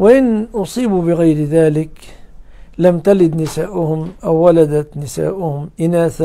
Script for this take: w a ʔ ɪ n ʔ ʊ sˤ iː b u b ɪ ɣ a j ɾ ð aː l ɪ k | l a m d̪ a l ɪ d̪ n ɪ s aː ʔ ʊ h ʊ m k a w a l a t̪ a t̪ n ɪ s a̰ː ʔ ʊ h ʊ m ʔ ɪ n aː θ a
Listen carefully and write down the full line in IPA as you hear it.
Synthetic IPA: w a ʔ ɪ n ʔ ʊ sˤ iː b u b ɪ ɣ a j ɾ ð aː l ɪ k | l a m t̪ a l ɪ d̪ n ɪ s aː ʔ ʊ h ʊ m ʔ a wː a l a d̪ a t̪ n ɪ s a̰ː ʔ ʊ h ʊ m ʔ ɪ n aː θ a